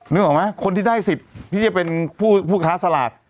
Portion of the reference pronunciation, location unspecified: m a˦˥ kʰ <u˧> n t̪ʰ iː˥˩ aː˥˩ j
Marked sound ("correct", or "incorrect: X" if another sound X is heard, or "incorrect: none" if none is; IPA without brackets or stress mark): incorrect: o˧